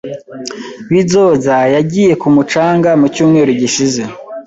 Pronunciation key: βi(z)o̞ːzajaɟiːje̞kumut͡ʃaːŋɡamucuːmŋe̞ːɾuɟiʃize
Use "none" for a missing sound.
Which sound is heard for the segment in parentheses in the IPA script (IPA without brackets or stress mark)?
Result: z